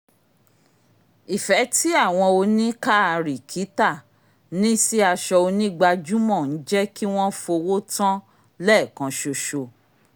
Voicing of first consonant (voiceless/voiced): voiceless